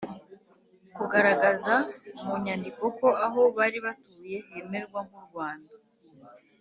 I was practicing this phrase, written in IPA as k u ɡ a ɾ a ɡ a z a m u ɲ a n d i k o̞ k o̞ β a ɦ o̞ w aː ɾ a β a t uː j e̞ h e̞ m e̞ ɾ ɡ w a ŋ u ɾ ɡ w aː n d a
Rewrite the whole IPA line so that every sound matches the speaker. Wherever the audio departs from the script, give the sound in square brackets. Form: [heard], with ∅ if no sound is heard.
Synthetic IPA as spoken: k u ɡ a ɾ a ɡ a z a m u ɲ a n d i k o̞ k o̞ [∅] a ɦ o̞ [β] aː ɾ [i] β a t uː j e̞ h e̞ m e̞ ɾ ɡ w a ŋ u ɾ ɡ w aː n d a